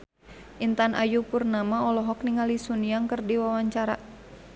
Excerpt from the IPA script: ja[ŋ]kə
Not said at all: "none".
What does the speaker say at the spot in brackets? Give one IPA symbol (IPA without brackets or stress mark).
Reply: ŋ